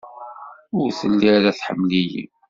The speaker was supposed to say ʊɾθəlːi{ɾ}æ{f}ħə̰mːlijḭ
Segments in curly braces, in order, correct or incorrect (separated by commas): correct, incorrect